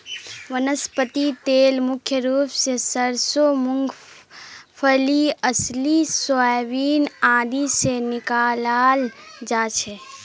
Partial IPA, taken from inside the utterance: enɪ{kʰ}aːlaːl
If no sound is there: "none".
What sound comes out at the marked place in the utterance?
k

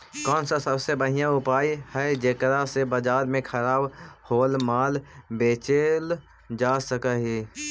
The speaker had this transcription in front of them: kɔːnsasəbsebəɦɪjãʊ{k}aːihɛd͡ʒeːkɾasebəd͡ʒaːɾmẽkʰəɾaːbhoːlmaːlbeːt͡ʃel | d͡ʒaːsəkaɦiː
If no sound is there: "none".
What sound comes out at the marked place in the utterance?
p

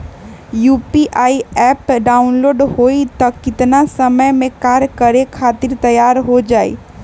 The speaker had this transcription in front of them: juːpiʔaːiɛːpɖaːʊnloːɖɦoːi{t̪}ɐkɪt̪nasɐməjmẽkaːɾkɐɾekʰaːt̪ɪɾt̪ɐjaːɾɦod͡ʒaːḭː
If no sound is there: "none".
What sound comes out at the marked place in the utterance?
t̪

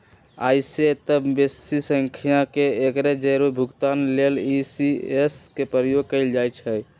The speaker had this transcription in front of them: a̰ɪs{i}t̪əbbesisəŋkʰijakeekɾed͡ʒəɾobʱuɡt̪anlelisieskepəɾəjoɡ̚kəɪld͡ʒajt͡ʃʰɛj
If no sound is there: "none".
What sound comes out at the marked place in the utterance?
e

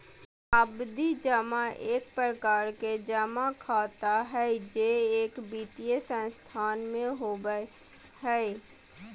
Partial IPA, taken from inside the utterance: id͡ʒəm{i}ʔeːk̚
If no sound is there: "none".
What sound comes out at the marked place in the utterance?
a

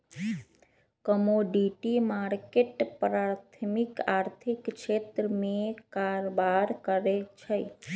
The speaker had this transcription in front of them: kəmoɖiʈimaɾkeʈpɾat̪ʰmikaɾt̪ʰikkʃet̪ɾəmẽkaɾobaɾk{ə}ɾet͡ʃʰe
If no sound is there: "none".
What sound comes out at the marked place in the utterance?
ə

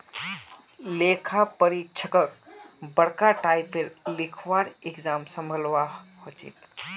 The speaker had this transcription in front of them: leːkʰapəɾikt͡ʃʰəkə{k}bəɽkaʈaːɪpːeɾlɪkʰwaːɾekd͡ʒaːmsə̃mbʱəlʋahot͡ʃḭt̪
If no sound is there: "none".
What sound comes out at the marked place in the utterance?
k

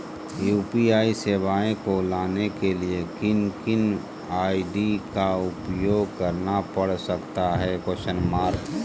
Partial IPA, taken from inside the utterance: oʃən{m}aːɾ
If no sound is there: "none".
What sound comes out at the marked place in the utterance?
m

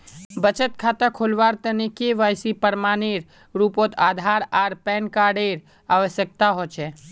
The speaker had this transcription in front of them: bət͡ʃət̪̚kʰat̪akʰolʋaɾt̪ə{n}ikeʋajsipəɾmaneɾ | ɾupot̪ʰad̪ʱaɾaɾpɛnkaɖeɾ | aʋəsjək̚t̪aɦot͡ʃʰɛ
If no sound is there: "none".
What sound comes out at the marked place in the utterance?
n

